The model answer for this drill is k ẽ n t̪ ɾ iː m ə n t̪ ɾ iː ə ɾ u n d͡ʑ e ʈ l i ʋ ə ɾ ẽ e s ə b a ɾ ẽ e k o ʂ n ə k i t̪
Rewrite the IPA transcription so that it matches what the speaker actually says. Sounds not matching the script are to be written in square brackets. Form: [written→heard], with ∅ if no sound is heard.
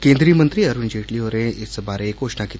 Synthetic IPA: k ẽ n [t̪→d̪] ɾ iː m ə n t̪ ɾ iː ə ɾ u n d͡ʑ e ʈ l i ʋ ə ɾ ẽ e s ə b a ɾ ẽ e k o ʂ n [ə→a] k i t̪